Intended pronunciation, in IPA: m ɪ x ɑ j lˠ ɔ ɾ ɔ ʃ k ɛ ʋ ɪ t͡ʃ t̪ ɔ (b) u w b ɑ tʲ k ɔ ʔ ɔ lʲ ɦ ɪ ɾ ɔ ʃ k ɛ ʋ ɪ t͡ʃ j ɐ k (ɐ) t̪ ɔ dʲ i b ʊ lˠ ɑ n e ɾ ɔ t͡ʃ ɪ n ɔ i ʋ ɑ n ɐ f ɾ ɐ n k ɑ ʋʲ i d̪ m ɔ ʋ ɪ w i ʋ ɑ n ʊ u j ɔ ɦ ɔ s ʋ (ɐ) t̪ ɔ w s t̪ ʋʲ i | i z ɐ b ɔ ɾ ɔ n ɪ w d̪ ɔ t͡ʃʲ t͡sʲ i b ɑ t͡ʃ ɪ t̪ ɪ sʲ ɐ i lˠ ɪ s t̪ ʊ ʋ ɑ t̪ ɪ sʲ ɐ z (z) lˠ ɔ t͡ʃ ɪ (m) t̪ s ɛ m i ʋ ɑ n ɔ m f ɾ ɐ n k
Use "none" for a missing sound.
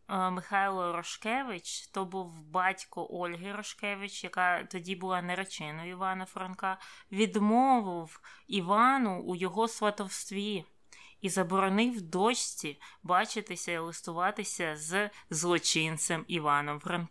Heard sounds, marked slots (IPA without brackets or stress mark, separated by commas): b, ɑ, ɐ, z, n